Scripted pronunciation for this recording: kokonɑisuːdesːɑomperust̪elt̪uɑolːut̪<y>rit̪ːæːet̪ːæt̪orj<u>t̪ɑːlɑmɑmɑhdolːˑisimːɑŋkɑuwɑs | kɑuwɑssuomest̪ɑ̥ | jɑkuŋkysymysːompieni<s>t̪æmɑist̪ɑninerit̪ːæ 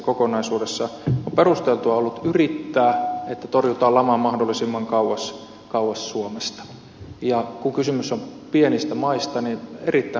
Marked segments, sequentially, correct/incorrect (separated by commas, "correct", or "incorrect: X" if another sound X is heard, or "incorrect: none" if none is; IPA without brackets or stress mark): correct, correct, correct